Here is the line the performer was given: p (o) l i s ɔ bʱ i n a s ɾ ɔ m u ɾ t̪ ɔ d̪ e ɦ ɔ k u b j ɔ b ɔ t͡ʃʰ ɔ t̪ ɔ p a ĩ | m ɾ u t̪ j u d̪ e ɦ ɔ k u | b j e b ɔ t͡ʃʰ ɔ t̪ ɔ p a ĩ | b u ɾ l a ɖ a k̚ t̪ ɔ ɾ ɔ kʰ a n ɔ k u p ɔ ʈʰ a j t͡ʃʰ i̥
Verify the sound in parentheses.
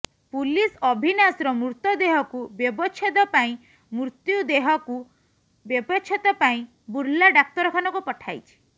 incorrect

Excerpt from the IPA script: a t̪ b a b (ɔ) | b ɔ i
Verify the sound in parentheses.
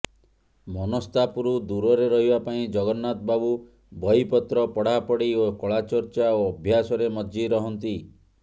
incorrect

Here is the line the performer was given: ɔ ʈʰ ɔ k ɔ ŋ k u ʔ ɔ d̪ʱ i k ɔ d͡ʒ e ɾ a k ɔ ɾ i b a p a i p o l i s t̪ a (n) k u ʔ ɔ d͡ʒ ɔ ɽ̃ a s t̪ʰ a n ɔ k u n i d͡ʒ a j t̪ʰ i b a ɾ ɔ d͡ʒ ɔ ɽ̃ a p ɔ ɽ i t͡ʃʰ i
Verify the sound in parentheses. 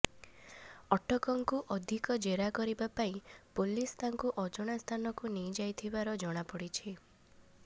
incorrect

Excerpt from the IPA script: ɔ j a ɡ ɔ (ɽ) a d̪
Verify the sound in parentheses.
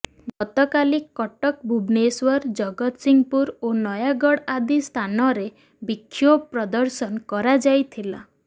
correct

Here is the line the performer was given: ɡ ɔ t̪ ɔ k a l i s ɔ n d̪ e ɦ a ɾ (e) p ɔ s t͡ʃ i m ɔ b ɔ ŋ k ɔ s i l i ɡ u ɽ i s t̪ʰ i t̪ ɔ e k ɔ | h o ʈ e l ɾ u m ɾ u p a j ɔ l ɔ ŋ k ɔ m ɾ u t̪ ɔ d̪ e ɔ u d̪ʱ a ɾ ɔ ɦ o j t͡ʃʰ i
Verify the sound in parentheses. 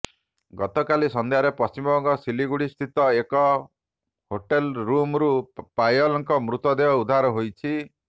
correct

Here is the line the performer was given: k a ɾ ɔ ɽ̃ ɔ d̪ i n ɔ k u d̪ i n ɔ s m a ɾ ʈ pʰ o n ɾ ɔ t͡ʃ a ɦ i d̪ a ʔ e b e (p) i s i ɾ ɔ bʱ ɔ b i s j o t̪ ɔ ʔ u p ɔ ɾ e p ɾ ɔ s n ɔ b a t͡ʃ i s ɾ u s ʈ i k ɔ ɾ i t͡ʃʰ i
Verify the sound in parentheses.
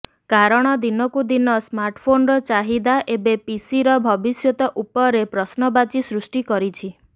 correct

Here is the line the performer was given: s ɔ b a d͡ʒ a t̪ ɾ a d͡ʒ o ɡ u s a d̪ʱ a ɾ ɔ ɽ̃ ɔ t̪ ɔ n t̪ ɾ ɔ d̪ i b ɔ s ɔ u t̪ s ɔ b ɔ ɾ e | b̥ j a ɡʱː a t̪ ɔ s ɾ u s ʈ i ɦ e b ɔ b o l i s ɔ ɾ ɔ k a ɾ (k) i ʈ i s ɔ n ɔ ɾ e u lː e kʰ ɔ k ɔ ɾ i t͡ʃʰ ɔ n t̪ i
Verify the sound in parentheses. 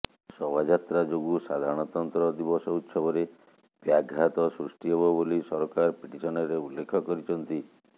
incorrect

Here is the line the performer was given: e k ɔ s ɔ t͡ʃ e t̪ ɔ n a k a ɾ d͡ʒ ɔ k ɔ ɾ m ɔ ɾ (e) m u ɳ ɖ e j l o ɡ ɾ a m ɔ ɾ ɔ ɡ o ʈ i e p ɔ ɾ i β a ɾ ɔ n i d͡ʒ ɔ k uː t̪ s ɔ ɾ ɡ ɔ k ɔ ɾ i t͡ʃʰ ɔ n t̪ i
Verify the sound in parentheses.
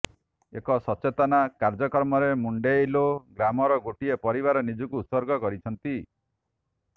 correct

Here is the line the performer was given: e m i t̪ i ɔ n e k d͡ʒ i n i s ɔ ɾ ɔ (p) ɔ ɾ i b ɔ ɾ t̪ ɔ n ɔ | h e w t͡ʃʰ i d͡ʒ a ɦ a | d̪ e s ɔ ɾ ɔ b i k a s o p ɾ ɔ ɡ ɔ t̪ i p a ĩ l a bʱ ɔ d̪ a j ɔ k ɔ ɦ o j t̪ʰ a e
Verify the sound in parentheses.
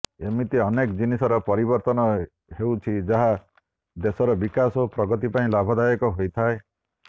correct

